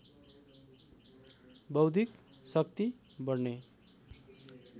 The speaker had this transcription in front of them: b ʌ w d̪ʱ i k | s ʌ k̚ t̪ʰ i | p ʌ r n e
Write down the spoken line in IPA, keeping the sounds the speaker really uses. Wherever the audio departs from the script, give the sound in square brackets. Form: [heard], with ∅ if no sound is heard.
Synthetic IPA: b ʌ w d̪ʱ i k | s ʌ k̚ [t̪] i | [b] ʌ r n e